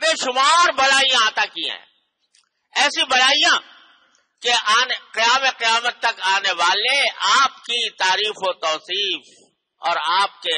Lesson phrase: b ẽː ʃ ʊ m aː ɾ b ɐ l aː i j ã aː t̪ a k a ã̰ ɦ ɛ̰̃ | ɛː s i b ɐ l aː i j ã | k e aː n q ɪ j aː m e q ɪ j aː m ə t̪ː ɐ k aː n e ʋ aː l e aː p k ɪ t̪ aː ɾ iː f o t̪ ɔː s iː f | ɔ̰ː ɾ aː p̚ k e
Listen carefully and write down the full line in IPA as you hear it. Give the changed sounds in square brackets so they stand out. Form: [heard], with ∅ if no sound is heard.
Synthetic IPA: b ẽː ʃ ʊ m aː ɾ b ɐ l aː i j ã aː t̪ a k [i] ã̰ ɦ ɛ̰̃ | ɛː s i b ɐ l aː i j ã | k e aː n q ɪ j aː m e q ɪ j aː m ə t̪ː ɐ k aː n e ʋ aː l e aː p k [i] t̪ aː ɾ iː f o t̪ ɔː s iː f | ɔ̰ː ɾ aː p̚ k e